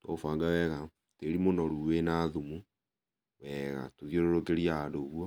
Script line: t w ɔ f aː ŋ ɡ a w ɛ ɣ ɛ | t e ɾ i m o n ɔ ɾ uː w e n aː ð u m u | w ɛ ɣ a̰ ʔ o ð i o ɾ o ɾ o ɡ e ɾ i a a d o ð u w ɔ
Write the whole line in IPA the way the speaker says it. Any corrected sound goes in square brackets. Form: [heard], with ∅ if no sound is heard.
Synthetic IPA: t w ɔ f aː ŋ ɡ a w ɛ ɣ [a] | t e ɾ i m o n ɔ ɾ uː w e n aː ð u m u | w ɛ ɣ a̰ [t] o ð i o ɾ o ɾ o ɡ e ɾ i a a d o [ɣ] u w ɔ